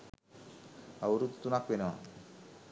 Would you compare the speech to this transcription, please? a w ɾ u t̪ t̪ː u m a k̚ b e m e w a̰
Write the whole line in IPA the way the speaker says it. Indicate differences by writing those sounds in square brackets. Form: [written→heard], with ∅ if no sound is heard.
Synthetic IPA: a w ɾ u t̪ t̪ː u [m→n] a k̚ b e [m→n] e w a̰